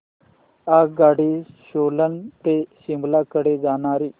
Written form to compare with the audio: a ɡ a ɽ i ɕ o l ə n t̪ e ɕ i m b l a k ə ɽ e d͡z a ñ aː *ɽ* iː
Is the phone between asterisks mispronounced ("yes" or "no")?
yes